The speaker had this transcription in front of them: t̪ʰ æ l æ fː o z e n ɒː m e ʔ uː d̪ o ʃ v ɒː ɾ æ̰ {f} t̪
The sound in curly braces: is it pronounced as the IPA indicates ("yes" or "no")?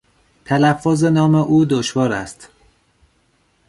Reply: no